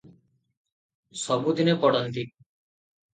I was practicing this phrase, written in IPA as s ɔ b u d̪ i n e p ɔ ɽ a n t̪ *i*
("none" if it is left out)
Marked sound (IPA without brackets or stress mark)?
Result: i